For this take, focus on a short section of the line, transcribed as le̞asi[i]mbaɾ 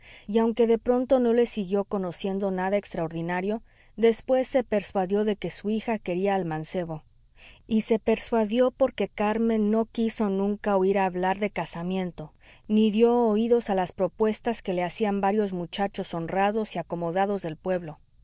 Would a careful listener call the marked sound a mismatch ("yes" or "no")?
yes